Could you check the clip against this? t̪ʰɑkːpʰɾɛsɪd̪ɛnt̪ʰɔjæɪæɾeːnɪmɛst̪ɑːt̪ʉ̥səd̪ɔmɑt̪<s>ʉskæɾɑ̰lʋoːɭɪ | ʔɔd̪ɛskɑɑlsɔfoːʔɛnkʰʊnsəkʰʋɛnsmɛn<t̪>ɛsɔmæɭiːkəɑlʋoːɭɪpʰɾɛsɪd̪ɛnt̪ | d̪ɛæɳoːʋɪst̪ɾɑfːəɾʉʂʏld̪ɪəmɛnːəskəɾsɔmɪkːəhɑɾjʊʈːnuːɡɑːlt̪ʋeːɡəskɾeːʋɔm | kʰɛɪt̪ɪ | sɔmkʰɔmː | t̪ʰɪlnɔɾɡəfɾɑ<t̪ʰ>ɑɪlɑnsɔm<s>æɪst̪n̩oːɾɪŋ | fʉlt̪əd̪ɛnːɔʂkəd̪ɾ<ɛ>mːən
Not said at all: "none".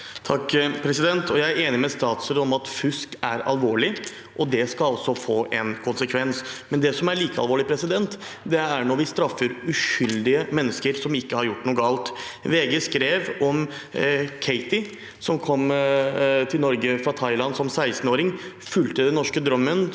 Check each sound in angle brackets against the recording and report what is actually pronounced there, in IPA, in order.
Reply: f, d̪, t̪ʰ, s, œ

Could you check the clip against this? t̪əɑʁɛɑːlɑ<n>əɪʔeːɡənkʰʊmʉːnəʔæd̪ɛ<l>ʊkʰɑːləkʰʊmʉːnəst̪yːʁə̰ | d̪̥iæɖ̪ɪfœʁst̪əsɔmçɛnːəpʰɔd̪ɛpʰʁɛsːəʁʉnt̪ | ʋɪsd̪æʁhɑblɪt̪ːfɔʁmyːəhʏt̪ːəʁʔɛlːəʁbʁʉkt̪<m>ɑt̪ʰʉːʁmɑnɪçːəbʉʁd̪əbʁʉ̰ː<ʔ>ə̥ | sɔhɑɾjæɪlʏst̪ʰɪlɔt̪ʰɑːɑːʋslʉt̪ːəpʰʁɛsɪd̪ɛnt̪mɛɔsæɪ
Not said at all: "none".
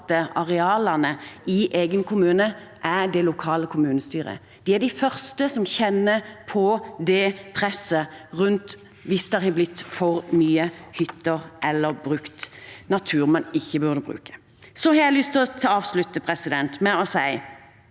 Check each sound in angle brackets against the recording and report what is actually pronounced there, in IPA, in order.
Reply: n, l, n, k

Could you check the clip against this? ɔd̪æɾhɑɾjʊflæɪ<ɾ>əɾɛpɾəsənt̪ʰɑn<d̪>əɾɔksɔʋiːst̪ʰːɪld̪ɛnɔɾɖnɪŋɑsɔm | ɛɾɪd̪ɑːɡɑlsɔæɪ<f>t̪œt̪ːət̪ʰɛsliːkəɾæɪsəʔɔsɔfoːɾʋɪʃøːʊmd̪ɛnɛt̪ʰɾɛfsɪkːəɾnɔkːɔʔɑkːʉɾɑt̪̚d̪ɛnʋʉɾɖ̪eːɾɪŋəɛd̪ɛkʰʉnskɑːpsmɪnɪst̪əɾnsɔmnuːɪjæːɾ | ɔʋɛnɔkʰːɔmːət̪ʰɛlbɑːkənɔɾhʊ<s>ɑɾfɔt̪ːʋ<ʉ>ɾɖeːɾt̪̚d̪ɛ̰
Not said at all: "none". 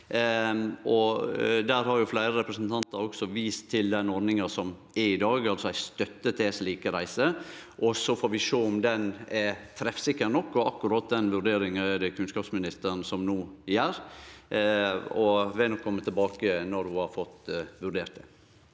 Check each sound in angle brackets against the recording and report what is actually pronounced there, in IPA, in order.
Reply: ɾ, t̪, s, h, ʉ

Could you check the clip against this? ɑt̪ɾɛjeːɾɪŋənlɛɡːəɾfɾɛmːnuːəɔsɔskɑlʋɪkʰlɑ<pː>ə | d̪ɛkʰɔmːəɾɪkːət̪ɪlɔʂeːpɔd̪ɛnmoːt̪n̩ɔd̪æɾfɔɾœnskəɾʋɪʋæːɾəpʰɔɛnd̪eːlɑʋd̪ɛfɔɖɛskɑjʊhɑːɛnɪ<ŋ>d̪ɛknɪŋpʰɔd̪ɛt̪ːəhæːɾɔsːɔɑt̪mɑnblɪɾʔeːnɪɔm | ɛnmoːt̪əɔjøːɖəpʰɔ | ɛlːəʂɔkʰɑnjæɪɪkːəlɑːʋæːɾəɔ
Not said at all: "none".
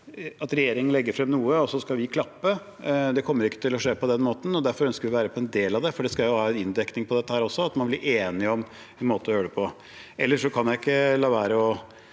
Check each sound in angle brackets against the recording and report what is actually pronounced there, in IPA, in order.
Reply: pː, n

